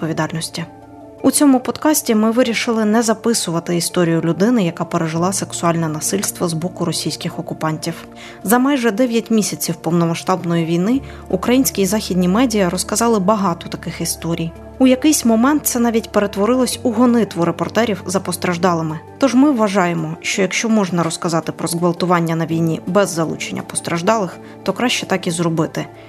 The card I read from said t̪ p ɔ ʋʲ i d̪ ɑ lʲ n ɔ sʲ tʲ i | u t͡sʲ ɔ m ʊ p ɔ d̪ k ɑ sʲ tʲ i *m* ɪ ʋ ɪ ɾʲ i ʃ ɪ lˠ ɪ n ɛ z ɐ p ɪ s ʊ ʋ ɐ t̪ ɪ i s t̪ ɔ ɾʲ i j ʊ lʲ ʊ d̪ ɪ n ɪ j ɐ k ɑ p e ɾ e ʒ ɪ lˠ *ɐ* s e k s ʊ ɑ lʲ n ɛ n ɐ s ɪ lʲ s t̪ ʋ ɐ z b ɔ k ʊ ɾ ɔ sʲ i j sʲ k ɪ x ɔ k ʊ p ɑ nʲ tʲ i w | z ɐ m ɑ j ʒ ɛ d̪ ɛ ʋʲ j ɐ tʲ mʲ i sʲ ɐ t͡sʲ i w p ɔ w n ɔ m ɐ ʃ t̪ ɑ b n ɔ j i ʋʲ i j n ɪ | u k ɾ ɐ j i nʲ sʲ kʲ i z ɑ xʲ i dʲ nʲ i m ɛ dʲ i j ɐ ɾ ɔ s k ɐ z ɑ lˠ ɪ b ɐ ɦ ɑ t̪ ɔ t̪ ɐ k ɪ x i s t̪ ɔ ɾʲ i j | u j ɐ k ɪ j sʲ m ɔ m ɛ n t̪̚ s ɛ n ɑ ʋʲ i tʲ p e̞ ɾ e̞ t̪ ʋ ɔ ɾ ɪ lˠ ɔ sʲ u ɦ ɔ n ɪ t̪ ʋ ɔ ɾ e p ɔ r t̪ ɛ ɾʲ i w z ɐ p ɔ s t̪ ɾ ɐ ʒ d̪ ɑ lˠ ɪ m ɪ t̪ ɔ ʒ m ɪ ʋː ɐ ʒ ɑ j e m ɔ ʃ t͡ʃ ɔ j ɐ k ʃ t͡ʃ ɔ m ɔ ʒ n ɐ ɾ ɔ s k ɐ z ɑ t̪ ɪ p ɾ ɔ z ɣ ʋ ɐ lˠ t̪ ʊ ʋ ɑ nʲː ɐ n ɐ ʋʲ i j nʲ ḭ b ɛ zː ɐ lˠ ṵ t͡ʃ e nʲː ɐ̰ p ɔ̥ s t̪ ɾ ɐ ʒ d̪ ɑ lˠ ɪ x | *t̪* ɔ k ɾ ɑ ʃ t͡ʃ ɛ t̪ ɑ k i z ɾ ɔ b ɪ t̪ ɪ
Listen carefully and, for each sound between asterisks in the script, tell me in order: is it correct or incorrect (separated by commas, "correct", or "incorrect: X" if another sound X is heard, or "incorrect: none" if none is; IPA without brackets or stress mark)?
correct, incorrect: ɑ, correct